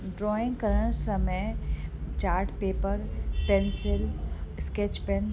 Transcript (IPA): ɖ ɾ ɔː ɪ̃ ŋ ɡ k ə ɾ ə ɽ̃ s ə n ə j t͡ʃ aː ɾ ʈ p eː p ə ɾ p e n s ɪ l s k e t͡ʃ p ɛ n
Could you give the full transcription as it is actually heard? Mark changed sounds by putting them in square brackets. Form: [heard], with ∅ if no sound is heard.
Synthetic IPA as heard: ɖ ɾ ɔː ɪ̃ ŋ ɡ k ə ɾ ə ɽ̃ s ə [m] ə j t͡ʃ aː ɾ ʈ p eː p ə ɾ p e n s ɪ l s k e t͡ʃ p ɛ n

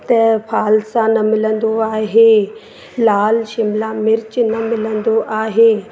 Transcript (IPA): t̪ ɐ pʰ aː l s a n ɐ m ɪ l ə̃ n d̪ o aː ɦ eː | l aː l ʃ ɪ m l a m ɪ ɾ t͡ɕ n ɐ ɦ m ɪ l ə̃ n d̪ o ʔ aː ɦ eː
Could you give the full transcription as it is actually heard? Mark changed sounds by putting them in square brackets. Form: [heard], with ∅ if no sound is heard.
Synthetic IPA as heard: t̪ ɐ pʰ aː l s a n ɐ m ɪ l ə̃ n d̪ o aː ɦ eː | l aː l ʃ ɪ m l a m ɪ ɾ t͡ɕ n ɐ [∅] m ɪ l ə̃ n d̪ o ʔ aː ɦ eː

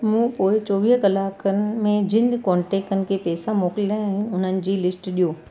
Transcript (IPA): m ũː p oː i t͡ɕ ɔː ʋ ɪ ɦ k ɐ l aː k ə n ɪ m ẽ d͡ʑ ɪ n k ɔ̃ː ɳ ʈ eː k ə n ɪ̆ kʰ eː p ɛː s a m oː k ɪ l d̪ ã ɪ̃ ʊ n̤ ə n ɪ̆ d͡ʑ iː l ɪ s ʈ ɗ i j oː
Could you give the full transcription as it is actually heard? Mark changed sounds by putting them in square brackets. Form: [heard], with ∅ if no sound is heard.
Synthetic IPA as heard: m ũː p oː [ɪ] t͡ɕ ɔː ʋ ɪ ɦ k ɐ l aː k ə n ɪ m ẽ d͡ʑ ɪ n k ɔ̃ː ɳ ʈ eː k ə n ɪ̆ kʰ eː p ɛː s a m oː k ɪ l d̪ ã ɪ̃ ʊ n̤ ə n ɪ̆ d͡ʑ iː l ɪ s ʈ ɗ i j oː

